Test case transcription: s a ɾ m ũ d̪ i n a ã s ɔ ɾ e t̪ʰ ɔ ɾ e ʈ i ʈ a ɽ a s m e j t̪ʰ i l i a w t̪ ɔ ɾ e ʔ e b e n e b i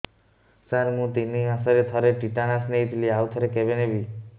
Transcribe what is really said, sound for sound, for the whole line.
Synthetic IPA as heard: s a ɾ m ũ t̪ i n i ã s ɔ ɾ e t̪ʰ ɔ ɾ e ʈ i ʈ a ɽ a s n e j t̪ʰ i l i a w t̪ʰ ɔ ɾ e k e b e n e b i